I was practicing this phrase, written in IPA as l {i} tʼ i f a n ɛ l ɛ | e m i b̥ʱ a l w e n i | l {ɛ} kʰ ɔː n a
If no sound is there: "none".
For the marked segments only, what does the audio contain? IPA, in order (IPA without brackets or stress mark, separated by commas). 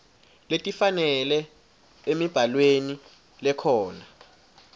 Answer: e, ɛ